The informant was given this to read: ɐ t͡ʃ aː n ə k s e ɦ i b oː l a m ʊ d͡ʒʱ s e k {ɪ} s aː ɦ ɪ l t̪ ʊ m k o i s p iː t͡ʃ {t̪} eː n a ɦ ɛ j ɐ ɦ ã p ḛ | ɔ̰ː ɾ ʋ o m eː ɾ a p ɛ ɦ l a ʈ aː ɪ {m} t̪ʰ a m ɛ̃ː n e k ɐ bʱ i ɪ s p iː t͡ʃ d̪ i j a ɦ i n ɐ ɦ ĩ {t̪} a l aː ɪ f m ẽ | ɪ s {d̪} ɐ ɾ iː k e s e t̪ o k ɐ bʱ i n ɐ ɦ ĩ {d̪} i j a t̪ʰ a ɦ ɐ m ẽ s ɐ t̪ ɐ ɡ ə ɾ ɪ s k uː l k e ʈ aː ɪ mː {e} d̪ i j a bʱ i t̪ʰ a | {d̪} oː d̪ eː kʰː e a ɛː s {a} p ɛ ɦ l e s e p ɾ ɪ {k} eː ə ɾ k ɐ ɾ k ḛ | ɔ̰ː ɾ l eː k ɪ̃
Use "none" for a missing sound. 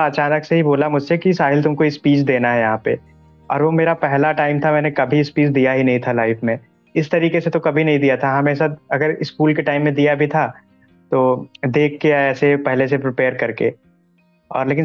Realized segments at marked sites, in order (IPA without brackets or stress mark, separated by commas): i, d̪, m, t̪ʰ, t̪, d̪, ẽ, t̪, e, p